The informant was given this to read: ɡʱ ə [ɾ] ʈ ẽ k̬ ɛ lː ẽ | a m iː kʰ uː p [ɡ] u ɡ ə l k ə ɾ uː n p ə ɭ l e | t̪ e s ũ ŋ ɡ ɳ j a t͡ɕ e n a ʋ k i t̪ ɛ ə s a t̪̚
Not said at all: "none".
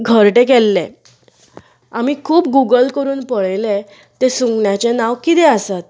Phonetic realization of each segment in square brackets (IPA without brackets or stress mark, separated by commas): ɾ, ɡ